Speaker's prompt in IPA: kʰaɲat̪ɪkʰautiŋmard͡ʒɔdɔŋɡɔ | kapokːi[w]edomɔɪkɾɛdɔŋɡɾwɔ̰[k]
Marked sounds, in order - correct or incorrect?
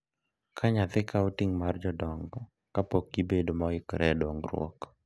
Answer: incorrect, correct

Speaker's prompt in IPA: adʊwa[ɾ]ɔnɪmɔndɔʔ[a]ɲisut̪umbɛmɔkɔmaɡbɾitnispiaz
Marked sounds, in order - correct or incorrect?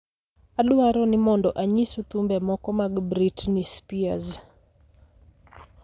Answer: correct, correct

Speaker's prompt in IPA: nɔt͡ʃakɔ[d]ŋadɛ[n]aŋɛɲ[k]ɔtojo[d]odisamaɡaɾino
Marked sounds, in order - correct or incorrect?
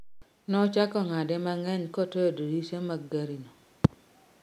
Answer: incorrect, incorrect, correct, correct

